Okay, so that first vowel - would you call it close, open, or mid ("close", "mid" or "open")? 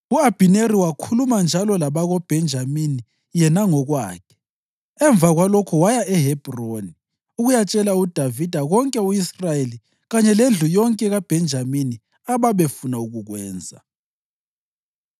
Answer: close